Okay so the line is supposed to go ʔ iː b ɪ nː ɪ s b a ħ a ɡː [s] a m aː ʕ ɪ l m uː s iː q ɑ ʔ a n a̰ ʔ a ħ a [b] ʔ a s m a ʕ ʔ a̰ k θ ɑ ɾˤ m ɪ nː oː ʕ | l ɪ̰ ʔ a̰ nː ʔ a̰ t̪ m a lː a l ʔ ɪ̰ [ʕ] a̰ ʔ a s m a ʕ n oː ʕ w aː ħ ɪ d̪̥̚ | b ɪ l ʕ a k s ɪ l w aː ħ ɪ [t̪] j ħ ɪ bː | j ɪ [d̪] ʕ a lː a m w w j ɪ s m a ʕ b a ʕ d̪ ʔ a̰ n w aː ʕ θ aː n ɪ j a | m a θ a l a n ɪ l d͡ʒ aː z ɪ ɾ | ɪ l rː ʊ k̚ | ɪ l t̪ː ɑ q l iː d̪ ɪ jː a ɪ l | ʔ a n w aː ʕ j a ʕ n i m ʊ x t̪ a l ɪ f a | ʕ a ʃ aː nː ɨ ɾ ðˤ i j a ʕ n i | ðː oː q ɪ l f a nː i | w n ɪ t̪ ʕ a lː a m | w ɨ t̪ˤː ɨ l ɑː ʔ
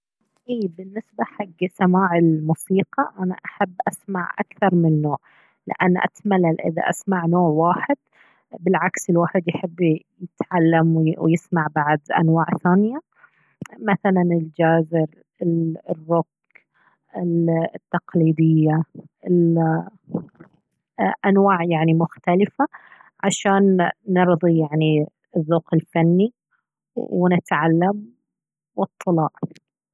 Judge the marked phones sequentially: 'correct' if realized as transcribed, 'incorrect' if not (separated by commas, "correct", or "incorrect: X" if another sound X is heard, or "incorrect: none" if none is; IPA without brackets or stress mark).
correct, incorrect: bː, incorrect: ð, incorrect: d̪, incorrect: t̪